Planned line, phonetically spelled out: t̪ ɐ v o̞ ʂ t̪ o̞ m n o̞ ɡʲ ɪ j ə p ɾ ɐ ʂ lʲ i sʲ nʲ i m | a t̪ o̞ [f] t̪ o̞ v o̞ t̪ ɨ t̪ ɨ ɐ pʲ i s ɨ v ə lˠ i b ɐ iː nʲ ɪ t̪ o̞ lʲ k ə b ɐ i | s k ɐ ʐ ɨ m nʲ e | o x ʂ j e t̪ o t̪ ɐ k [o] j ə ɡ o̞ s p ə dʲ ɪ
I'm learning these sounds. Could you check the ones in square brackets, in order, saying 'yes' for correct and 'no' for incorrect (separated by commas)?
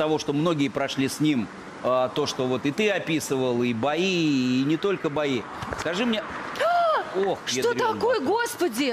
no, yes